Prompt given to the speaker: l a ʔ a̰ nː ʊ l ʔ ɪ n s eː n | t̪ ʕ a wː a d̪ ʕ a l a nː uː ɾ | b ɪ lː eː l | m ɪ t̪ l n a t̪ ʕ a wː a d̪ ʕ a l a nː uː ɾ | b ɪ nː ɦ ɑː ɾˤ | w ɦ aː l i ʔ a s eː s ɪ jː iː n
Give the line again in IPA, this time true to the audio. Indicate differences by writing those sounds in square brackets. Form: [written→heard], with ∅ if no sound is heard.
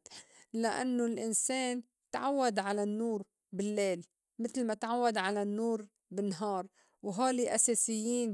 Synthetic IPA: l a ʔ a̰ nː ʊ l ʔ ɪ n s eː n | t̪ ʕ a wː a d̪ ʕ a l a nː uː ɾ | b ɪ lː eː l | m ɪ t̪ l [n→m] a t̪ ʕ a wː a d̪ ʕ a l a nː uː ɾ | b ɪ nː ɦ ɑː ɾˤ | w ɦ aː l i ʔ a s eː s ɪ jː iː n